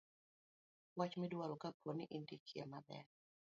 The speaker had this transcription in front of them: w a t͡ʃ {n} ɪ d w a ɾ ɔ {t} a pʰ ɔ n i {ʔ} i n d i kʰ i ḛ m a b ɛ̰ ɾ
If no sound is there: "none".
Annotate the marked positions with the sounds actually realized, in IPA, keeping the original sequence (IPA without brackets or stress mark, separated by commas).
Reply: m, k, ʔ